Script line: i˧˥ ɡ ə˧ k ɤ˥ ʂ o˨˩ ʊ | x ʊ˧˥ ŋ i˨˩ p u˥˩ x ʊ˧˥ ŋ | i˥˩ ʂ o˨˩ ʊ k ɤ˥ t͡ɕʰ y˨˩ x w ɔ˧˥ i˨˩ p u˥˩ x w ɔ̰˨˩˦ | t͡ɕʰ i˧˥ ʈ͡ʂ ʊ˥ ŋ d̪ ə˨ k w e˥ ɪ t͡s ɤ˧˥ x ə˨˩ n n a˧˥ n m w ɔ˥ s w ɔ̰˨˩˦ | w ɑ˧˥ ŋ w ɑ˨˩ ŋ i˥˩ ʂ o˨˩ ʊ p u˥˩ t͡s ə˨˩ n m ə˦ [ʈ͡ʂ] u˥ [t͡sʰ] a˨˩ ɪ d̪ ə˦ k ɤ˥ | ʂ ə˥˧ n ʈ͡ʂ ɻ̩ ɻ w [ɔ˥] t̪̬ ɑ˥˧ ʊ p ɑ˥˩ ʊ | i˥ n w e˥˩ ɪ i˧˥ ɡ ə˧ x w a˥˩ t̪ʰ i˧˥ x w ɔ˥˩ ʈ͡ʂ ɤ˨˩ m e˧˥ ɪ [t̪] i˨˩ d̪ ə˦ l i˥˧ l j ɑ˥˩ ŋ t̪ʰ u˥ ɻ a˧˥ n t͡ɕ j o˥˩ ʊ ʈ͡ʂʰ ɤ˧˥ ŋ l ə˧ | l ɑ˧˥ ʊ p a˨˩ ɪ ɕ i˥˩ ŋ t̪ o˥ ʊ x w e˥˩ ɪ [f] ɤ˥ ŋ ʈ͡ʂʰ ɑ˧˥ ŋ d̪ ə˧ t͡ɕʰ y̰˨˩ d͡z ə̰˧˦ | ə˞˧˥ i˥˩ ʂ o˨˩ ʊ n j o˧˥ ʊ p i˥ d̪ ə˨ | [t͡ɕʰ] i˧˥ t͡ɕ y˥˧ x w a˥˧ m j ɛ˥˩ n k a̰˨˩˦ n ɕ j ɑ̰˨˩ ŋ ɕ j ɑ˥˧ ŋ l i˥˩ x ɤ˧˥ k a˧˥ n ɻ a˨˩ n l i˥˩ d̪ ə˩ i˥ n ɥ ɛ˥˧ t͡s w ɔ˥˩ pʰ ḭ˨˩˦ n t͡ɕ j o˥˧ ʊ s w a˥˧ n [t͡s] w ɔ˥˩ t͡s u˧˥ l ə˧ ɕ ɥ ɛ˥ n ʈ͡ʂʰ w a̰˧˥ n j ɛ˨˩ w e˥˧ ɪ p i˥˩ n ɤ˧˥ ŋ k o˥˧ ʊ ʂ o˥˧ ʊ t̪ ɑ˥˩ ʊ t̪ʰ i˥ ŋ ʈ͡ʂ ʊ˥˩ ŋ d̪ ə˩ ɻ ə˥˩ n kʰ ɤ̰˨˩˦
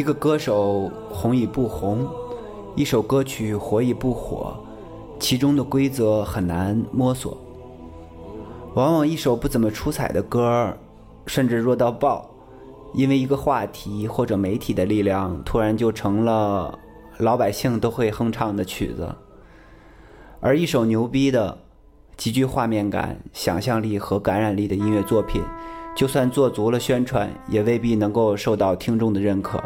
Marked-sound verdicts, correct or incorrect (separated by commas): incorrect, correct, incorrect, incorrect, incorrect, incorrect, correct